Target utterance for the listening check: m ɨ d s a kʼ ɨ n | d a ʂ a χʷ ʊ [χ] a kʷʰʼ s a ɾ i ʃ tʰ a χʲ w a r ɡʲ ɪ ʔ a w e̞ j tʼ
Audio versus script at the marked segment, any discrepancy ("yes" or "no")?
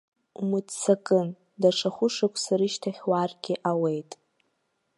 yes